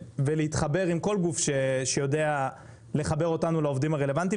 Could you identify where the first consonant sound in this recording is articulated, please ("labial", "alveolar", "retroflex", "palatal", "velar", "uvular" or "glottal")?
labial